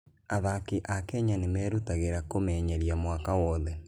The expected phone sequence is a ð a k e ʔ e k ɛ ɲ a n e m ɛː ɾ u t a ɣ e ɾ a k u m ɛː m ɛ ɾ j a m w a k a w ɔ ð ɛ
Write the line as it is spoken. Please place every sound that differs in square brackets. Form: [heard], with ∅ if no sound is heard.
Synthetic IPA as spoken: a ð a k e ʔ [a] k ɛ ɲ a n e m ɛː ɾ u t a ɣ e ɾ a k [o] m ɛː [ɲ] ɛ ɾ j a m w a k a w ɔ ð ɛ